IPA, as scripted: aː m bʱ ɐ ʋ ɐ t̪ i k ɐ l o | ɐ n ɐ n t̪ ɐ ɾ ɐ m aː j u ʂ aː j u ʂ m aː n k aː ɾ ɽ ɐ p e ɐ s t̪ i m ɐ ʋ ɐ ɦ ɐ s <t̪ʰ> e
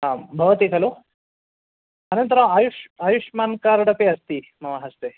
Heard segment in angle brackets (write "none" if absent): t̪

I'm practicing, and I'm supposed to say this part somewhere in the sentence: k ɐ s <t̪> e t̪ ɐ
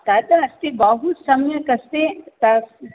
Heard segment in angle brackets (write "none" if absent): t̪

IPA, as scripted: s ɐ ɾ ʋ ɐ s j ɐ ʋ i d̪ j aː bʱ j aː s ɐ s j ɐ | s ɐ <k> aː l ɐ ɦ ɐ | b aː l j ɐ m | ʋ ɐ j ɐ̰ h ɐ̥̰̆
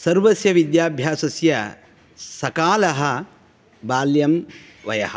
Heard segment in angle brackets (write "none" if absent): k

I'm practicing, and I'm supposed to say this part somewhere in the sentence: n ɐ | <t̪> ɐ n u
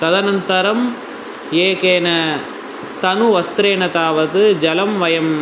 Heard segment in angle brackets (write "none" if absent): t̪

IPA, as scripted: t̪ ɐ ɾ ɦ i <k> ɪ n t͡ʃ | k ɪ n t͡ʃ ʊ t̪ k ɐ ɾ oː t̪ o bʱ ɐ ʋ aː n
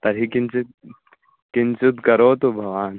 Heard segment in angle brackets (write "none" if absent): k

